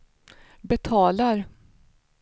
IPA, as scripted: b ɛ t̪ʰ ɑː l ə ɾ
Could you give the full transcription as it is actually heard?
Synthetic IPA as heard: b ɛ t̪ʰ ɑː l a ɾ